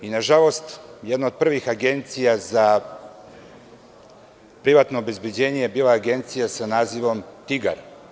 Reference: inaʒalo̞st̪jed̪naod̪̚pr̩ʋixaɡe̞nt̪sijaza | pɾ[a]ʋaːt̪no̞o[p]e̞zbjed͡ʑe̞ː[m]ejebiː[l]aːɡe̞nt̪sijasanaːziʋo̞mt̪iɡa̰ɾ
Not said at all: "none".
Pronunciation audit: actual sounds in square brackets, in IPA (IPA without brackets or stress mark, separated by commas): i, b, ɲ, l